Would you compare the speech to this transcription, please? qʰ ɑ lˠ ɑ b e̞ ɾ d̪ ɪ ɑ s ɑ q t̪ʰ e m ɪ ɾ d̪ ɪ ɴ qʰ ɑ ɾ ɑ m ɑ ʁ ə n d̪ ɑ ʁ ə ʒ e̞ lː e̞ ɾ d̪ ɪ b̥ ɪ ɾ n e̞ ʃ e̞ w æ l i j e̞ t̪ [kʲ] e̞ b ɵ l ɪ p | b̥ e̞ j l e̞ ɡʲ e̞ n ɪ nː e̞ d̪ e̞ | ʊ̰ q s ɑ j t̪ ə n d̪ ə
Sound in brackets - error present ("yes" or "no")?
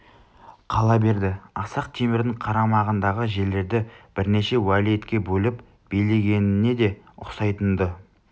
no